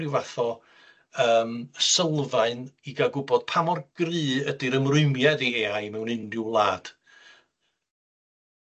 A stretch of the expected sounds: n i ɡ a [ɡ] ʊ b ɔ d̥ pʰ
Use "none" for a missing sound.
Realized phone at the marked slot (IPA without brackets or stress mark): ɡ